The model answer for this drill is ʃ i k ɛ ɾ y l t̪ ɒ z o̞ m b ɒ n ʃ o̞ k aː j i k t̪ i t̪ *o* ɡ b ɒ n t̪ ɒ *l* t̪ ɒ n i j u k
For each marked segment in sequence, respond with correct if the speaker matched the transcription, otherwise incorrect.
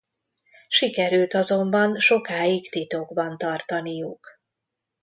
correct, incorrect

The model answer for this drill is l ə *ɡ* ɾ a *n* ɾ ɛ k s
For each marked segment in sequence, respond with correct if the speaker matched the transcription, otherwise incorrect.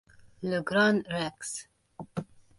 correct, correct

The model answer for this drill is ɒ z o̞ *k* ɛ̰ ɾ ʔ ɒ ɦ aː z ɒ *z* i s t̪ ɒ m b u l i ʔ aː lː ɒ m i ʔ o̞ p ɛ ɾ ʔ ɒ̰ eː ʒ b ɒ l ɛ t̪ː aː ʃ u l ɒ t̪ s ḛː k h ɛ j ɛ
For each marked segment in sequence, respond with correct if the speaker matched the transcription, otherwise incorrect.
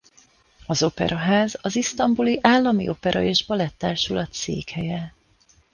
incorrect, correct

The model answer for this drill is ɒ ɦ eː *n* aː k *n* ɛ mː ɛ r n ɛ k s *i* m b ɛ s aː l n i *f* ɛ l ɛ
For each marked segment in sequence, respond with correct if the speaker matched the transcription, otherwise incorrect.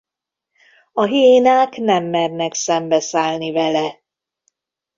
correct, correct, incorrect, incorrect

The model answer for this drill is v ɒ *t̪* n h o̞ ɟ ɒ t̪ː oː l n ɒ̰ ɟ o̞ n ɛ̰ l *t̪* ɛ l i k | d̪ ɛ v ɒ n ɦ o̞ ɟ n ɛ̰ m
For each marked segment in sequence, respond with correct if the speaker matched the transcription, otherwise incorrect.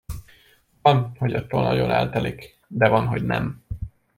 incorrect, correct

